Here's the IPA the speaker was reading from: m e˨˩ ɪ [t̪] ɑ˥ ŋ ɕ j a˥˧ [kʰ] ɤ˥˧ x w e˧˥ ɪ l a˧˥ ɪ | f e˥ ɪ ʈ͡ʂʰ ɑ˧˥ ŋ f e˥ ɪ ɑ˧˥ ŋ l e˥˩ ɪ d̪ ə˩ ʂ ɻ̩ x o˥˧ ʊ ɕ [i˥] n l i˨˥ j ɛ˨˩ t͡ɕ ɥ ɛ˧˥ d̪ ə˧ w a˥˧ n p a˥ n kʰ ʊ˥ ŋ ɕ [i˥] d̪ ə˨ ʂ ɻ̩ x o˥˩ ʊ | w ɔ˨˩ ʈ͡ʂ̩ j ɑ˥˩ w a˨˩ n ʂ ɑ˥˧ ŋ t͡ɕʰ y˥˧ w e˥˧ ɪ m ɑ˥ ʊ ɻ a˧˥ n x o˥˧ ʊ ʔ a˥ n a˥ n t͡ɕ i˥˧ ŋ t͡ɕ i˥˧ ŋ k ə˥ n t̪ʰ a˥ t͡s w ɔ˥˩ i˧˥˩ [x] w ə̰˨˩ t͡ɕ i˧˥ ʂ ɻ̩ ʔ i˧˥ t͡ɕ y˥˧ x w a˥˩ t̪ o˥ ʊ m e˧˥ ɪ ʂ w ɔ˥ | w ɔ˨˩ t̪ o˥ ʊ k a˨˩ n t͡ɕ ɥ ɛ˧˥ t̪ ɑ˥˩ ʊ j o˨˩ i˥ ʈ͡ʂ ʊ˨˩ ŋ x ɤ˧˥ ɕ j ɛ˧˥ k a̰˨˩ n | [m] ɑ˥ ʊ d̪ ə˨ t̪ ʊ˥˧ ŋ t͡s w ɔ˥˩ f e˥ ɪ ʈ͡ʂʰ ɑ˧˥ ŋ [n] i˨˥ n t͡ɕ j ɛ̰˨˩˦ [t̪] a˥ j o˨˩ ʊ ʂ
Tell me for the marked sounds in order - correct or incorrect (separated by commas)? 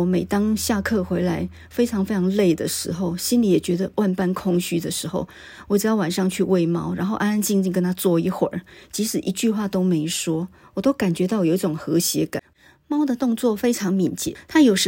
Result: correct, correct, correct, incorrect, correct, correct, incorrect, incorrect